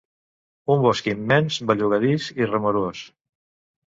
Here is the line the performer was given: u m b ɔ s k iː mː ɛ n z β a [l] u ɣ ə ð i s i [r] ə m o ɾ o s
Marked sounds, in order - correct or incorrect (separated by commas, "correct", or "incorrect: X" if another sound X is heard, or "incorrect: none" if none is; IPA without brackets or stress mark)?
incorrect: ʎ, correct